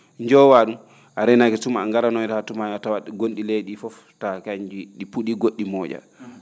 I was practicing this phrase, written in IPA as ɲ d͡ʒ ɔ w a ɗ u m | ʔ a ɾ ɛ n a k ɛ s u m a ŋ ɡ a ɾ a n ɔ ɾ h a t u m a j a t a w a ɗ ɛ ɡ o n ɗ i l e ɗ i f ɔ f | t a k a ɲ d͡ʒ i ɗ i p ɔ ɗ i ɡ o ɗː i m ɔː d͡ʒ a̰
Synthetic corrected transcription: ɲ d͡ʒ ɔ w a ɗ u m | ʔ a ɾ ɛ n a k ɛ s u m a ŋ ɡ a ɾ a n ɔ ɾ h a t u m a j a t a w a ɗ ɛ ɡ o n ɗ i l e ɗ i f ɔ f | t a k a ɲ d͡ʒ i ɗ i p u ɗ i ɡ o ɗː i m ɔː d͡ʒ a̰